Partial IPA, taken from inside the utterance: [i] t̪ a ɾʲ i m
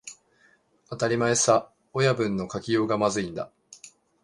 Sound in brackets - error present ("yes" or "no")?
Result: yes